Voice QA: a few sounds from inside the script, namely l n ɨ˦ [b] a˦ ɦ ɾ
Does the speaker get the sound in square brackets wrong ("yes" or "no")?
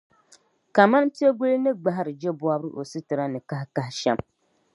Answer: yes